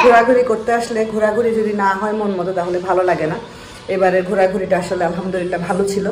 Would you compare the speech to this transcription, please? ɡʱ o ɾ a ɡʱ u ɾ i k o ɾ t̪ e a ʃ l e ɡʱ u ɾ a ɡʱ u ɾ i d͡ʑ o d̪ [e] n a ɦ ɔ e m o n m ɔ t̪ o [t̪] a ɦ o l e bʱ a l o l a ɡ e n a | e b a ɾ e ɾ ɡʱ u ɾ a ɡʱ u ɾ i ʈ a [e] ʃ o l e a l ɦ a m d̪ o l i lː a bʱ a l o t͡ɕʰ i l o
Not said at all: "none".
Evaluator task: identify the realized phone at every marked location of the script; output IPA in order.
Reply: i, t̪, a

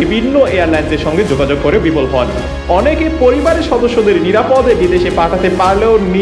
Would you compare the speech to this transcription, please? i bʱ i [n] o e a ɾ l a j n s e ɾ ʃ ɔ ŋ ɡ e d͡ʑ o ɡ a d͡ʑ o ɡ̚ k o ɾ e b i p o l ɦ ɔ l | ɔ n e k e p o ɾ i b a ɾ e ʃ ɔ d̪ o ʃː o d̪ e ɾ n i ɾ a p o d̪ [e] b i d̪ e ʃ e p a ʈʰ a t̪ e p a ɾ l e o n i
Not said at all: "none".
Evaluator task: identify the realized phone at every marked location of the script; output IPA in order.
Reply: nː, e

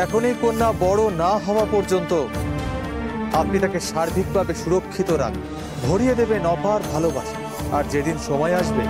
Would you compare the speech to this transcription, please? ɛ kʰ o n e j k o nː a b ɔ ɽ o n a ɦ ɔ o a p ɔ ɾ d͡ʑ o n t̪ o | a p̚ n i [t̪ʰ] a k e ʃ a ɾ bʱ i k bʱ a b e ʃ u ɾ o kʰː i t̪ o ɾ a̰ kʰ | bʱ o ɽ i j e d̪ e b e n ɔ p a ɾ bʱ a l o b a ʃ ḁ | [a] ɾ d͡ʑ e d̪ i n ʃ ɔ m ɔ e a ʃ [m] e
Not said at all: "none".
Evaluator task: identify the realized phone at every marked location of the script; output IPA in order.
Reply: t̪, a, b

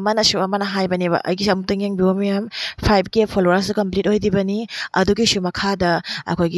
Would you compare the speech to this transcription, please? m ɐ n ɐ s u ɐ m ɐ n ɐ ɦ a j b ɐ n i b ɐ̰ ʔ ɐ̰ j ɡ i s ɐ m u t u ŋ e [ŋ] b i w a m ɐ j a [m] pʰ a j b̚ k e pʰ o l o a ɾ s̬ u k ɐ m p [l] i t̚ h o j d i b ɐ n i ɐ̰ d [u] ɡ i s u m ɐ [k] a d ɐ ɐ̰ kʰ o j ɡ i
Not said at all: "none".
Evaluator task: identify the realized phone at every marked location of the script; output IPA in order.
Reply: ŋ, m, l, u, kʰ

